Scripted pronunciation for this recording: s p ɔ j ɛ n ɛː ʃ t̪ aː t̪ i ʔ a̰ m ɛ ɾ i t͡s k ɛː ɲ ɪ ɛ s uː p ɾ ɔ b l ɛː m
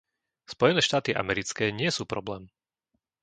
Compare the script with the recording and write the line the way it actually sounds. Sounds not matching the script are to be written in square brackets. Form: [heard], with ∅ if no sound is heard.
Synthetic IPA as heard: s p ɔ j ɛ n ɛː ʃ t̪ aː t̪ i ʔ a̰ m ɛ ɾ i t͡s k ɛː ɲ ɪ ɛ s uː p ɾ ɔ b l ɛː m